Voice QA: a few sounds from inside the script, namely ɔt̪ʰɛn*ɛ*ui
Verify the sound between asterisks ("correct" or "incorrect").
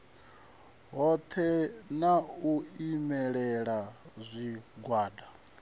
incorrect